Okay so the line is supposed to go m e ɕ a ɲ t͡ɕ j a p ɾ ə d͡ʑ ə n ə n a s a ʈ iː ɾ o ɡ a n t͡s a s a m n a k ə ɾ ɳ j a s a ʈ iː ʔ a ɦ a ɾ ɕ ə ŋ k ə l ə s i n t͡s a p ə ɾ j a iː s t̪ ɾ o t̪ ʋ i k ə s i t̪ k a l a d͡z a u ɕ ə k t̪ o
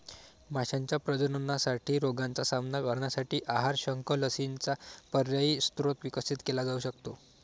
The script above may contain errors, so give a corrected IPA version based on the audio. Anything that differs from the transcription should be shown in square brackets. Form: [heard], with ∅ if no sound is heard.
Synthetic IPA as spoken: m [a] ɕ a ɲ t͡ɕ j a p ɾ ə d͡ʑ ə n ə n a s a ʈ iː ɾ o ɡ a n t͡s a s a m n a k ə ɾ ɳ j a s a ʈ iː ʔ a ɦ a ɾ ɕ ə ŋ k ə l ə s i n t͡s a p ə ɾ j a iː s t̪ ɾ o t̪ ʋ i k ə s i t̪ k [e] l a d͡z a u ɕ ə k t̪ o